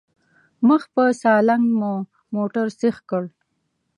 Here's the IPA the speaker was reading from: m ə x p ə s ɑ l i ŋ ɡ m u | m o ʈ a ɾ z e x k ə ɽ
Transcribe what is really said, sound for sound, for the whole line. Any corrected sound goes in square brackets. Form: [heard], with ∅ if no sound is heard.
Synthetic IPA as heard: m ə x p ə s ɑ l [a] ŋ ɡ m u | m o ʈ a ɾ [s] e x k ə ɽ